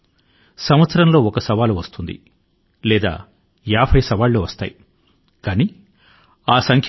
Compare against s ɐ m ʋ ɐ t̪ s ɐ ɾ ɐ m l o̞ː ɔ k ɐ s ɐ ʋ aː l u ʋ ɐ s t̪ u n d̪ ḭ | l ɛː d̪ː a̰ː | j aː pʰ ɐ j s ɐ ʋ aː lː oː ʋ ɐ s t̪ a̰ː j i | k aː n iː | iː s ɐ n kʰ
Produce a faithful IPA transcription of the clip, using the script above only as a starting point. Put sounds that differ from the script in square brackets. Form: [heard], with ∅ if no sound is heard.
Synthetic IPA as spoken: s ɐ m ʋ ɐ t̪ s ɐ ɾ ɐ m l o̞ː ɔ k ɐ s ɐ ʋ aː l u ʋ ɐ s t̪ u n d̪ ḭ | l ɛː [d̪] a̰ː | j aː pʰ ɐ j s ɐ ʋ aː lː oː ʋ ɐ s t̪ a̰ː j i | k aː n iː | [aː] s ɐ [ŋ] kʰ